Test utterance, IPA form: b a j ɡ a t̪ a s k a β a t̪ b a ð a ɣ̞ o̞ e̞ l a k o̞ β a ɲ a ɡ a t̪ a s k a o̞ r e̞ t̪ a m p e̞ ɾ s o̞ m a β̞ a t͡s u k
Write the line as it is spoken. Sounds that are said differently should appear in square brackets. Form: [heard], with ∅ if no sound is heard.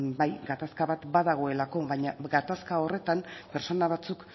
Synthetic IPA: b a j ɡ a t̪ a s k a β a t̪ b a ð a ɣ̞ o̞ e̞ l a k o̞ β a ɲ a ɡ a t̪ a s k a o̞ r e̞ t̪ a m p e̞ ɾ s o̞ [n] a β̞ a t͡s u k